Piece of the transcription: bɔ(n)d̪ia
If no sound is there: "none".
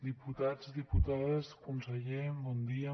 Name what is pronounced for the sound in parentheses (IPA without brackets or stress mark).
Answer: n